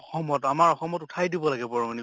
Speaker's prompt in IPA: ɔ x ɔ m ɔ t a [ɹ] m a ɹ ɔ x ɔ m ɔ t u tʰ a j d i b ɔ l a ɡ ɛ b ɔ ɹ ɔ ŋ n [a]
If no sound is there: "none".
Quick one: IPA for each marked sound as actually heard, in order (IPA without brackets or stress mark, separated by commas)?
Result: none, i